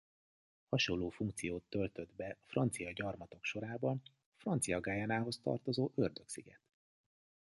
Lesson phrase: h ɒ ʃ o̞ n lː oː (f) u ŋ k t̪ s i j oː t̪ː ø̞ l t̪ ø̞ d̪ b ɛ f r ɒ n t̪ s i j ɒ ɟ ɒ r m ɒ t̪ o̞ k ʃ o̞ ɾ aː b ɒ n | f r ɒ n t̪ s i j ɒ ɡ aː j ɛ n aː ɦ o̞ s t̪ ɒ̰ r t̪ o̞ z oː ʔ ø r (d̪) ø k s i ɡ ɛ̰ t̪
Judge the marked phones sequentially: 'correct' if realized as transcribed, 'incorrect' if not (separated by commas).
correct, correct